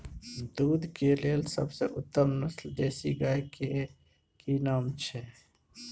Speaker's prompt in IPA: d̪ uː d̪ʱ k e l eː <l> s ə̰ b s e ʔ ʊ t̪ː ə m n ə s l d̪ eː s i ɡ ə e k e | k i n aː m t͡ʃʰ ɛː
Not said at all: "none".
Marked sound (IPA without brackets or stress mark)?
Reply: l